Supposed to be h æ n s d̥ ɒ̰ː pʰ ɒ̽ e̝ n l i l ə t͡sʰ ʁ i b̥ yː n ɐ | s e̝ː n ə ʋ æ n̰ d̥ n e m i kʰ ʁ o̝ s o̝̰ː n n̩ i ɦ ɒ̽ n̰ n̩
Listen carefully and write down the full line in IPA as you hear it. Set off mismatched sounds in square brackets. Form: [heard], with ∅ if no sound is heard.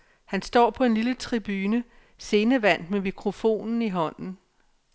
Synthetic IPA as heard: h æ n s d̥ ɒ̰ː pʰ ɒ̽ e̝ n l i l ə t͡sʰ ʁ i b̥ yː n [ə] | s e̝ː n ə ʋ æ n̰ d̥ [m] e m i kʰ ʁ o̝ [f] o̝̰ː n n̩ i ɦ ɒ̽ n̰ n̩